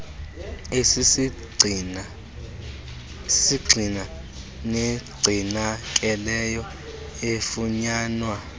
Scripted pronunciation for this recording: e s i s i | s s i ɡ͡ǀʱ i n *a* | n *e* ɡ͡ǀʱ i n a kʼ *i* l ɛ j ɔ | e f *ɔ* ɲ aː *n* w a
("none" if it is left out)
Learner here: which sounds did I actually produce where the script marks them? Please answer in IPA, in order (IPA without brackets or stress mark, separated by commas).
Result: a, e, ɛ, u, n